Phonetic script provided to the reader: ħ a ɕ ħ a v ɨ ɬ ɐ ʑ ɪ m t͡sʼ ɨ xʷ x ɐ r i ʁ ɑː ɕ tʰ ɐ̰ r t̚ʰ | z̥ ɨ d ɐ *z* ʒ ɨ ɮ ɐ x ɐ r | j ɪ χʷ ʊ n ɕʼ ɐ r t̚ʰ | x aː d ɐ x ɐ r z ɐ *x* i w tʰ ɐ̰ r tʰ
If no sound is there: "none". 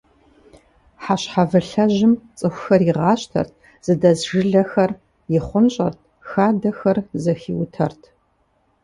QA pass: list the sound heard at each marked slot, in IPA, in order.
z, x

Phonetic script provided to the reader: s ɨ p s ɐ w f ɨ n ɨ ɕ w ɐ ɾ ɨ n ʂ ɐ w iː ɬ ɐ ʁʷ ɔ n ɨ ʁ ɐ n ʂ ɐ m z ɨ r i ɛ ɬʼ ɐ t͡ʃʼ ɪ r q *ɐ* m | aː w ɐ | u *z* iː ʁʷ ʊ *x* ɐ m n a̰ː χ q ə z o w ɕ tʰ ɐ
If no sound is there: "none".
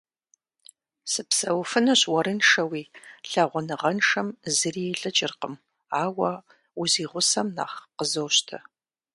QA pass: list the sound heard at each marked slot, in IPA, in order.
ə, z, s

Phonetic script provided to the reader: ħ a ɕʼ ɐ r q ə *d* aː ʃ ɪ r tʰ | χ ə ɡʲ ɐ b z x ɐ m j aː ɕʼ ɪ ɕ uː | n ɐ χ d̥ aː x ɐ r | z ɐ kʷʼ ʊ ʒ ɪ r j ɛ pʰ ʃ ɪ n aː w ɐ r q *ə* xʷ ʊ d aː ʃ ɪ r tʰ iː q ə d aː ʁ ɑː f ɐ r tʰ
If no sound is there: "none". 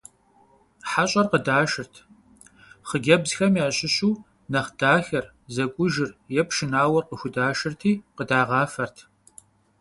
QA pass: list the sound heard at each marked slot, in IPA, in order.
d, ə

